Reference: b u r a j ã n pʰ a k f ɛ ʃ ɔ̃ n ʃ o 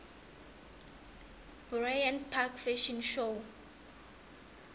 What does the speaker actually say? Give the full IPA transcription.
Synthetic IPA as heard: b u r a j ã n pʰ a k f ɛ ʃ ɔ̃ n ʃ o